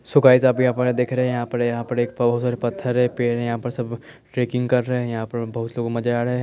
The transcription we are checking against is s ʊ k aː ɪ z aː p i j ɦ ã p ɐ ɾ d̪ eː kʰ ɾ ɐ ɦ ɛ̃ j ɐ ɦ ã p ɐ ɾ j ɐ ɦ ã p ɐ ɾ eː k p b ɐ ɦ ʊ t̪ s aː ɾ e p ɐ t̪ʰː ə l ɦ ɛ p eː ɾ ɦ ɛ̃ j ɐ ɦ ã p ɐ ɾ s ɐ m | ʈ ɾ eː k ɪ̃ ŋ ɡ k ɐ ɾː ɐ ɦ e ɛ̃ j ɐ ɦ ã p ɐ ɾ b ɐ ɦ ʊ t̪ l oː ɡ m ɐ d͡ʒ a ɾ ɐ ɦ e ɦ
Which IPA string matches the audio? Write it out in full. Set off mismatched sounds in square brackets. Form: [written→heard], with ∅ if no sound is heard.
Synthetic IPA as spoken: s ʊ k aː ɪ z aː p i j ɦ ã p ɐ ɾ d̪ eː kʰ ɾ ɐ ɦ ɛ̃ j ɐ ɦ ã p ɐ ɾ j ɐ ɦ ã p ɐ ɾ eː k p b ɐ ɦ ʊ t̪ s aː ɾ e p ɐ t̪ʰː ə [l→ɾ] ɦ ɛ p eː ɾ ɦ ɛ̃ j ɐ ɦ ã p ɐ ɾ s ɐ [m→b] | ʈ ɾ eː k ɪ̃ ŋ ɡ k ɐ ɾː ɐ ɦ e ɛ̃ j ɐ ɦ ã p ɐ ɾ b ɐ ɦ ʊ t̪ l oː ɡ m ɐ d͡ʒ a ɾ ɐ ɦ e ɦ